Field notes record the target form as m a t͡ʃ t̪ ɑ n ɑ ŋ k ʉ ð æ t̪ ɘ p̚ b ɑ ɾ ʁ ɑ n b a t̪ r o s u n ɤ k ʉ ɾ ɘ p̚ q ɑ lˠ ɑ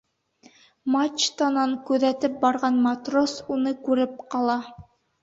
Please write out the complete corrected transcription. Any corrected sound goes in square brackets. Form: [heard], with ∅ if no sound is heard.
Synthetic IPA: m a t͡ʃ t̪ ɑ n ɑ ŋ k ʉ ð æ t̪ ɘ p̚ b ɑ ɾ ʁ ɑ n [m] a t̪ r o s u n ɤ k ʉ ɾ ɘ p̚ q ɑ lˠ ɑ